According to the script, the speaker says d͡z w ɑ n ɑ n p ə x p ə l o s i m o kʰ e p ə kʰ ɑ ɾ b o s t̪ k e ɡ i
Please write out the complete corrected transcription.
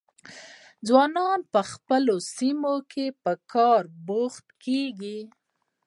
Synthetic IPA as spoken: d͡z w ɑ n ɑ n p ə x p ə l o s i m o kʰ e p ə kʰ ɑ ɾ b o x t̪ k e ɡ i